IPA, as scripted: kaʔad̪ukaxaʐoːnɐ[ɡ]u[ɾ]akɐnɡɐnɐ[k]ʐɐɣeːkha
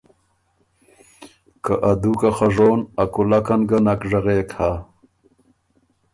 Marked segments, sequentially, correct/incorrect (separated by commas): incorrect, incorrect, correct